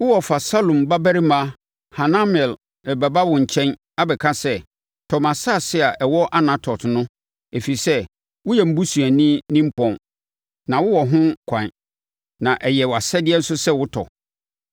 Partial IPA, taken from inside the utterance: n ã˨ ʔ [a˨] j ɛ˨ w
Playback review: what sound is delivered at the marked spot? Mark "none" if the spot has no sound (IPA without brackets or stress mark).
ɛ˨